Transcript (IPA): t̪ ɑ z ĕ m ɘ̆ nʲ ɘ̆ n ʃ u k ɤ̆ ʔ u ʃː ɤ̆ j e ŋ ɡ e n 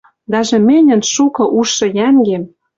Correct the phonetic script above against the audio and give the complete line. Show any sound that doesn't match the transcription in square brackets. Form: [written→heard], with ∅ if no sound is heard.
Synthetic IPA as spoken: [t̪→d̪] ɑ [z→ʒ] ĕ m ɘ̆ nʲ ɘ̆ n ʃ u k ɤ̆ ʔ u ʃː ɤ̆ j [e→æ] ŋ ɡ e [n→m]